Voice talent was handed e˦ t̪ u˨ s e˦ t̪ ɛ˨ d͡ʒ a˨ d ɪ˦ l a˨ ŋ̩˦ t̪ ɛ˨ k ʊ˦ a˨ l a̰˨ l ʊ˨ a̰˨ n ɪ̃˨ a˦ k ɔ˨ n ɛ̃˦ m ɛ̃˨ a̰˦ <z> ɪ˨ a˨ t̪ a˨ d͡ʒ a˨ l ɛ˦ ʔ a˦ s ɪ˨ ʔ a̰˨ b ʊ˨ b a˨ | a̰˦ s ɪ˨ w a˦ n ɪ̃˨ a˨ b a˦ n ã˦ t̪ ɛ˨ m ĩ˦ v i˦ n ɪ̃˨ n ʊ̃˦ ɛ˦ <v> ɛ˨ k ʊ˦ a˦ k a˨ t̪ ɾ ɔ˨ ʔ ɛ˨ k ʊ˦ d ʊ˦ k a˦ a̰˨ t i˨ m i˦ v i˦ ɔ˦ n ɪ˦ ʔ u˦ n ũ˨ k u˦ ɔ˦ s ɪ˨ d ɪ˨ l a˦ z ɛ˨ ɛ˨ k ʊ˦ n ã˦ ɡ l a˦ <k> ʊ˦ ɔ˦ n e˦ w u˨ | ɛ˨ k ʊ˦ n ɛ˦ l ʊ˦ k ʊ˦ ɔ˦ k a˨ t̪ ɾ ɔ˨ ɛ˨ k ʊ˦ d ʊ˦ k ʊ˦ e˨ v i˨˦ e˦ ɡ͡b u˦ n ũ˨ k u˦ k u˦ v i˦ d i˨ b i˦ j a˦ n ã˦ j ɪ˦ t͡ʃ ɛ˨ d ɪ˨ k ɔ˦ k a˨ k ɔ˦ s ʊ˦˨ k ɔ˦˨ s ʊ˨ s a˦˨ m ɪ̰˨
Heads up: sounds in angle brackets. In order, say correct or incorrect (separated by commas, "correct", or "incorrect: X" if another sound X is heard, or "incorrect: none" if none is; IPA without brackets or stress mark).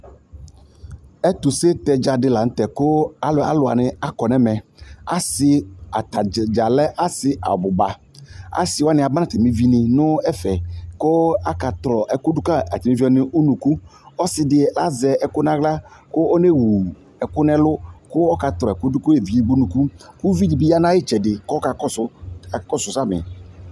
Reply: incorrect: s, incorrect: f, correct